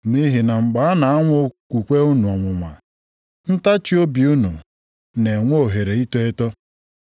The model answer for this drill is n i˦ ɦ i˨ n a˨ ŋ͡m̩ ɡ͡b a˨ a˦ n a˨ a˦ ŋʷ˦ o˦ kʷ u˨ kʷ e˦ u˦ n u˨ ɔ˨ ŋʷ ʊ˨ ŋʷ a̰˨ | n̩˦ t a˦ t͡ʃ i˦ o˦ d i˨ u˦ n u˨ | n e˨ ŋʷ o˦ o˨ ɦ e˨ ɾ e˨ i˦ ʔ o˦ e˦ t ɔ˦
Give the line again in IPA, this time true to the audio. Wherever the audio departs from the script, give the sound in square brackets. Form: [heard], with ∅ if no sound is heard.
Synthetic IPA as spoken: n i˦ ɦ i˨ n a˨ ŋ͡m̩ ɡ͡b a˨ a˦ n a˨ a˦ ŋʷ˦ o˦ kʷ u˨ kʷ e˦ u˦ n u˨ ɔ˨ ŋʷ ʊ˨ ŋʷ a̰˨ | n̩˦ t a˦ t͡ʃ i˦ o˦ [b] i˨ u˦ n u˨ | n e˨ ŋʷ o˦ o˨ ɦ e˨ ɾ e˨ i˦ [t] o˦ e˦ t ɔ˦